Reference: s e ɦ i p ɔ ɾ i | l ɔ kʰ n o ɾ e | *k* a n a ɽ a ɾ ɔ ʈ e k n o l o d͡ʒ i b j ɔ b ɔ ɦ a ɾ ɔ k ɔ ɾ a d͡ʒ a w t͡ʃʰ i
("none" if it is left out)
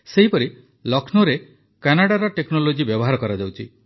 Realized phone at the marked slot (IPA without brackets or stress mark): k